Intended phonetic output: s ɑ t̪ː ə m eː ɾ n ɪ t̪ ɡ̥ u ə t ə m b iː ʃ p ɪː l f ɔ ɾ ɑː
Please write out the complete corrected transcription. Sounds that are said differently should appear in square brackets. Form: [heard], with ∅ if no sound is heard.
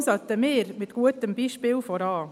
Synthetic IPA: s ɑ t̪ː ə m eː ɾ [m] ɪ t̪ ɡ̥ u ə t ə m b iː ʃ p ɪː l f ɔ ɾ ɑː